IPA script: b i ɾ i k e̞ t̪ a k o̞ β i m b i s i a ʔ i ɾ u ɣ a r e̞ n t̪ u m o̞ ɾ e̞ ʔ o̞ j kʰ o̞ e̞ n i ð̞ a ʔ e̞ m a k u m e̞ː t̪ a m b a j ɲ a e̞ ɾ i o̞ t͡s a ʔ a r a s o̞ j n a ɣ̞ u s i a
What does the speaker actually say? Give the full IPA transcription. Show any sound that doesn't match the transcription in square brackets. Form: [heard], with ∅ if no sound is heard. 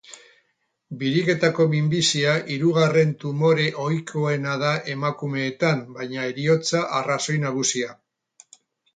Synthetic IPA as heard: b i ɾ i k e̞ t̪ a k o̞ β i m b i s i a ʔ i ɾ u ɣ a r e̞ n t̪ u m o̞ ɾ e̞ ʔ o̞ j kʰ o̞ e̞ n [a] ð̞ a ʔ e̞ m a k u m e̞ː t̪ a m b a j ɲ a e̞ ɾ i o̞ t͡s a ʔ a r a s o̞ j n a ɣ̞ u s i a